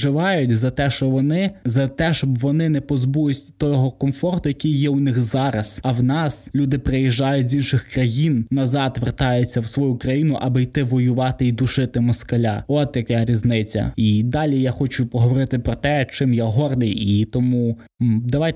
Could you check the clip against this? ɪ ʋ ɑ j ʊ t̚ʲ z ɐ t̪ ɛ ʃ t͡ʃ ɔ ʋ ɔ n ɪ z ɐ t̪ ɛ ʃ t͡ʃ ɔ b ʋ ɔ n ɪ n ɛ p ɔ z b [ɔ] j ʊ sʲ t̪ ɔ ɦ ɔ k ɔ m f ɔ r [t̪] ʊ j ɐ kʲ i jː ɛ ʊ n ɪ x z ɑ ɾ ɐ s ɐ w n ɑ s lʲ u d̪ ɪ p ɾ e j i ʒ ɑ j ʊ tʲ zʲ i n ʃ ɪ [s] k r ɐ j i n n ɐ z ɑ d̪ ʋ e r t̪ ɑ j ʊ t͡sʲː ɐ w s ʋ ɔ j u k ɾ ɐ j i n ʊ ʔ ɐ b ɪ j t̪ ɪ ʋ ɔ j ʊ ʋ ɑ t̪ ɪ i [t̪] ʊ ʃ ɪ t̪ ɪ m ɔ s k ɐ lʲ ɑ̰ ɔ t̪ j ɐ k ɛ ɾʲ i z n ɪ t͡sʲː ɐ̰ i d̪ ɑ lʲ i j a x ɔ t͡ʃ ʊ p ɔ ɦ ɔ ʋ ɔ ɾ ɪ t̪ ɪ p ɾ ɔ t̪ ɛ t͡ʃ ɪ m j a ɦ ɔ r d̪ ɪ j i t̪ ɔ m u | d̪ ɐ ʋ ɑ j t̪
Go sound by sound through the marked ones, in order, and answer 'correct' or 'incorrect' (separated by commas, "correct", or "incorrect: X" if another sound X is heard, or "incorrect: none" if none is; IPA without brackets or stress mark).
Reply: incorrect: u, correct, incorrect: x, incorrect: d̪